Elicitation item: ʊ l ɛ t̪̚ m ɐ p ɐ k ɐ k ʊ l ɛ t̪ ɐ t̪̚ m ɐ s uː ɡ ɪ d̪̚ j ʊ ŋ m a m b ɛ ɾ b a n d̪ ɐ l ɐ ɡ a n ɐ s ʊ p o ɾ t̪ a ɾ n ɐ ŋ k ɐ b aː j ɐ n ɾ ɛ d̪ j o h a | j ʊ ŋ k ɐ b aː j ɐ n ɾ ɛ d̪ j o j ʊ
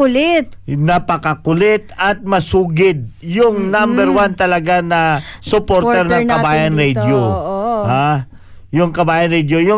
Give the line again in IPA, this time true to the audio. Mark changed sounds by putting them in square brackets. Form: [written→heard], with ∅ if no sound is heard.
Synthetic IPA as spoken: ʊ l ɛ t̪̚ [m→n] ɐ p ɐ k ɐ k ʊ l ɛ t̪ ɐ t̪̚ m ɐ s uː ɡ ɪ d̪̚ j ʊ ŋ [m→n] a m b ɛ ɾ [b→w] a n [d̪→t̪] ɐ l ɐ ɡ a n ɐ s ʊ p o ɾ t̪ [a→ɛ] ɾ n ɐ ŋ k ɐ b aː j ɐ n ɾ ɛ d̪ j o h a | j ʊ ŋ k ɐ b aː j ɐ n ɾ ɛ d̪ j o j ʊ